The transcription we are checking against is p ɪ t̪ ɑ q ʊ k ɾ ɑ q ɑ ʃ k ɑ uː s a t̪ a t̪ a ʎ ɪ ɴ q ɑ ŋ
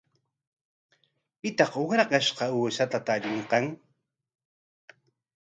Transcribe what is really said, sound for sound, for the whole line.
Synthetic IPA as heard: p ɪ t̪ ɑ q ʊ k ɾ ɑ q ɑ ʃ q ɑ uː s a t̪ a t̪ a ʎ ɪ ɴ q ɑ ŋ